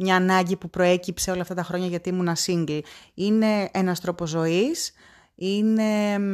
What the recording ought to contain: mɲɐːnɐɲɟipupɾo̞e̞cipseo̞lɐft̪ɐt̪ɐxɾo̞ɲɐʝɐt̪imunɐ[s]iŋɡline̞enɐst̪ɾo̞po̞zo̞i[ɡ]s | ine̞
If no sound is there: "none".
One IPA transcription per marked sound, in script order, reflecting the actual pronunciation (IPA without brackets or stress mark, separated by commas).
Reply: s, none